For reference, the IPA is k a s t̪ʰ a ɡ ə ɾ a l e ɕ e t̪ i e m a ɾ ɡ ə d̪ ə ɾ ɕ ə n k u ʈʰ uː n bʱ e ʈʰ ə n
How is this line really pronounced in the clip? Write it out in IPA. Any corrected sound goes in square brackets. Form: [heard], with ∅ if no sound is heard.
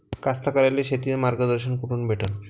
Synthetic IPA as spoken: k a s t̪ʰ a [k] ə ɾ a l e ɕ e t̪ i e m a ɾ ɡ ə d̪ ə ɾ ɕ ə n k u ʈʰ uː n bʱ e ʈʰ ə n